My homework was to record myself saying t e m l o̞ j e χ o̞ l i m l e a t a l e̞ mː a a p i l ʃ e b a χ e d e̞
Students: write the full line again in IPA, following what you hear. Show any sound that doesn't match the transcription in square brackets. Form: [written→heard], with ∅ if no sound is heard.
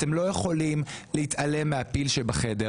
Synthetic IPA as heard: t e m l o̞ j e χ o̞ l i m l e [a→i] t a l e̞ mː [a→e] a p i l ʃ e b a χ e d e̞